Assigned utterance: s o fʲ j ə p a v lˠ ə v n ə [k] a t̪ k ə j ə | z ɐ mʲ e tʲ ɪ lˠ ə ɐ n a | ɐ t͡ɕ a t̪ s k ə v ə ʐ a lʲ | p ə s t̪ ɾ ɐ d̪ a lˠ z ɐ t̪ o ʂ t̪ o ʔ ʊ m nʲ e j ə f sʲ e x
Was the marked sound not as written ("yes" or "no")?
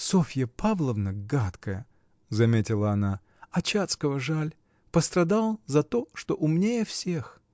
yes